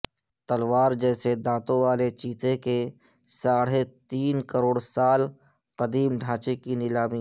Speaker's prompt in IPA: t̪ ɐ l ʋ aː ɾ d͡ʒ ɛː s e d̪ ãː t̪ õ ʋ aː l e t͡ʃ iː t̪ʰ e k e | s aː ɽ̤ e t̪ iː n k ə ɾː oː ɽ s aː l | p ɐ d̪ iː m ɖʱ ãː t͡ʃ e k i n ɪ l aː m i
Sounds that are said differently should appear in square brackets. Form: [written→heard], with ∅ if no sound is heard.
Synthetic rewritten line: t̪ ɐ l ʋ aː ɾ d͡ʒ ɛː s e d̪ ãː t̪ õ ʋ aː l e t͡ʃ iː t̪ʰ e k e | s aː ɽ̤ e t̪ iː n k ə [ɾː→ɾ] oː ɽ s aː l | [p→q] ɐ d̪ iː m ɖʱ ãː t͡ʃ e k i n ɪ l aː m i